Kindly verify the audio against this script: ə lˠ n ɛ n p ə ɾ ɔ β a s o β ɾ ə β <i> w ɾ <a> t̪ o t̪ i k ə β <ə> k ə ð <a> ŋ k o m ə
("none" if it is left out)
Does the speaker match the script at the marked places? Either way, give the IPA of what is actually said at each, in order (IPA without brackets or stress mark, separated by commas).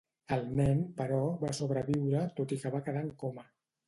i, ə, a, a